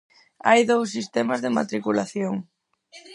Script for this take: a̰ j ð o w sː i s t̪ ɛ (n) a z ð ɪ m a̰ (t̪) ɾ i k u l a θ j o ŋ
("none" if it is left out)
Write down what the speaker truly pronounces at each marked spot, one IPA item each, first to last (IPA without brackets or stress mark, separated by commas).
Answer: m, t̪